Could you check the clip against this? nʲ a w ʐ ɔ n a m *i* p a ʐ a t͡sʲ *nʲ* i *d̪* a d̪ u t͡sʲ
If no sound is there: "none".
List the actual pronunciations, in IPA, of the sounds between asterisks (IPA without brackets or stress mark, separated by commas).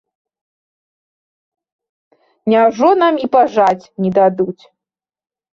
i, nʲ, d̪